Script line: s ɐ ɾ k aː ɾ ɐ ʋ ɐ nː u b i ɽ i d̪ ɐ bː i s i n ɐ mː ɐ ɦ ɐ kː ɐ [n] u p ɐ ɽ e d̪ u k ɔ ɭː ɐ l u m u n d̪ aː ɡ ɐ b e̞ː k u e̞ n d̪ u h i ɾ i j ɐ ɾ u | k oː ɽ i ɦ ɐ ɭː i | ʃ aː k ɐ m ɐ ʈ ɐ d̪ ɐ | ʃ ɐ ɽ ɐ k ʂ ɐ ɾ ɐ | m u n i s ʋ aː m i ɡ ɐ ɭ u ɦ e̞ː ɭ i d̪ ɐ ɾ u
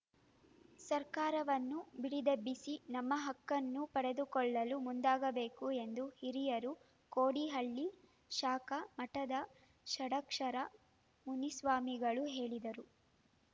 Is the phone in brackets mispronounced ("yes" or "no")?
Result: yes